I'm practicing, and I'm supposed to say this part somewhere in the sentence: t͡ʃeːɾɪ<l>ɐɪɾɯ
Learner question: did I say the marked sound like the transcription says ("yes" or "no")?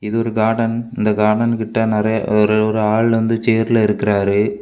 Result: yes